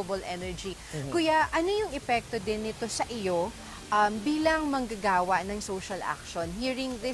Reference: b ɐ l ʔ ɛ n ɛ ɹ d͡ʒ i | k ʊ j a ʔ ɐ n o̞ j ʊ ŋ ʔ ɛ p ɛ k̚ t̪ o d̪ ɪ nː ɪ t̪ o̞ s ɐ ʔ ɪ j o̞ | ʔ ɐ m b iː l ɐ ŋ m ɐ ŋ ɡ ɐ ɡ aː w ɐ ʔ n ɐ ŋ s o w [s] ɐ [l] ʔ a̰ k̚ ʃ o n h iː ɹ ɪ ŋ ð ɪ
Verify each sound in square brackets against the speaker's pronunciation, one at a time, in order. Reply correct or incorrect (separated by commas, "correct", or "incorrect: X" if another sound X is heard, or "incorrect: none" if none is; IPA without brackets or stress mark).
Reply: incorrect: ʃ, correct